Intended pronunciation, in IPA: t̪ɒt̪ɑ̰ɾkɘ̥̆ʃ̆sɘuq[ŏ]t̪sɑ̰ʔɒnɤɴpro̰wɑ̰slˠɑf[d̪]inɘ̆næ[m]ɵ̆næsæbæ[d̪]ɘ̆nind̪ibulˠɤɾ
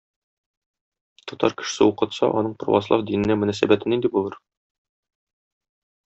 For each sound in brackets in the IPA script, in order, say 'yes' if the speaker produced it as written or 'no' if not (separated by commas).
no, yes, yes, no